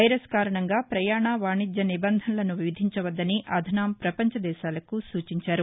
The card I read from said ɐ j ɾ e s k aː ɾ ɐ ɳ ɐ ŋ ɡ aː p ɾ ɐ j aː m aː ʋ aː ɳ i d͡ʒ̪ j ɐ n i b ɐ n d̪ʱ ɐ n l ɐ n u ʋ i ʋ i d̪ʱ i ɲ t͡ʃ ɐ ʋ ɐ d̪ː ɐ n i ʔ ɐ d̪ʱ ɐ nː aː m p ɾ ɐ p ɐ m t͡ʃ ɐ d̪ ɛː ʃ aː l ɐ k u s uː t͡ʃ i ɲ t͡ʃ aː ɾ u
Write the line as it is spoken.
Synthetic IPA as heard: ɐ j ɾ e s k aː ɾ ɐ ɳ ɐ ŋ ɡ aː p ɾ ɐ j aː ɳ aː ʋ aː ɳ i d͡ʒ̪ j ɐ n i b ɐ n d̪ʱ ɐ n l ɐ n u ʋ i ʋ i d̪ʱ i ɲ t͡ʃ ɐ ʋ ɐ d̪ː ɐ n i ʔ ɐ d̪ʱ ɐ n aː m p ɾ ɐ p ɐ ɲ t͡ʃ ɐ d̪ ɛː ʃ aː l ɐ k u s uː t͡ʃ i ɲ t͡ʃ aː ɾ u